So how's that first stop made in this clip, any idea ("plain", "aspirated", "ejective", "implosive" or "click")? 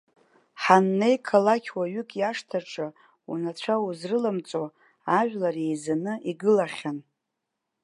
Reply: aspirated